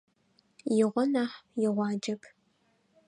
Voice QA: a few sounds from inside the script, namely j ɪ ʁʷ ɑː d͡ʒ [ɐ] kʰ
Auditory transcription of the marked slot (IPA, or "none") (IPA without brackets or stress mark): ɐ